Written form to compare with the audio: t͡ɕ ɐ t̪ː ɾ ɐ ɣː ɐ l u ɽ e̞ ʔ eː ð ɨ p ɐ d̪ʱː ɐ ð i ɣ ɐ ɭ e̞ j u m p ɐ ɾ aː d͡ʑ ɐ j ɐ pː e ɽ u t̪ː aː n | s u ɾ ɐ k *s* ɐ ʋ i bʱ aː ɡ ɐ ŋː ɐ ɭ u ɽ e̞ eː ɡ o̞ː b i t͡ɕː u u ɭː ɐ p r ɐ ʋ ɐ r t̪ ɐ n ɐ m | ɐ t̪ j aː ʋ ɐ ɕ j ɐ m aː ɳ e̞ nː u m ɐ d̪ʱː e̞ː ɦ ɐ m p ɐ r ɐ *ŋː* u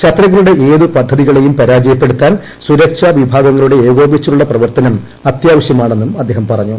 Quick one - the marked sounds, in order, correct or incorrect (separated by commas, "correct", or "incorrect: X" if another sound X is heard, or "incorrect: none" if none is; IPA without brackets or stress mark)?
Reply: incorrect: ʂ, incorrect: ɲː